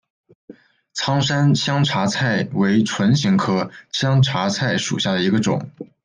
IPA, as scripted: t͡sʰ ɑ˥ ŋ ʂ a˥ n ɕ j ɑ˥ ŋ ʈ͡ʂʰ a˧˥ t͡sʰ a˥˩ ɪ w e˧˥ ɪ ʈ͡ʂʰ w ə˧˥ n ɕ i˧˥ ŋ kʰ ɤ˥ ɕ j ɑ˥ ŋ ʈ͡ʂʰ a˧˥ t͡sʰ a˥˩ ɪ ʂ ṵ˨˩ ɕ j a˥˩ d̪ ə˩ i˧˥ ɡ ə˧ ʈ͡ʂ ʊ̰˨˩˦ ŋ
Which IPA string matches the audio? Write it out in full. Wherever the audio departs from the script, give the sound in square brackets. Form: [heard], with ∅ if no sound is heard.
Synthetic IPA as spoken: t͡sʰ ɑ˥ ŋ ʂ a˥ n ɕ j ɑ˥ ŋ ʈ͡ʂʰ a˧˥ t͡sʰ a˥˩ ɪ w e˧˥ ɪ ʈ͡ʂʰ w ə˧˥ n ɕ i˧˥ ŋ kʰ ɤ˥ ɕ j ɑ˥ ŋ ʈ͡ʂʰ a˧˥ t͡sʰ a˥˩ ɪ ʂ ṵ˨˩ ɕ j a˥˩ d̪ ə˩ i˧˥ ɡ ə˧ ʈ͡ʂ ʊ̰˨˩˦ ŋ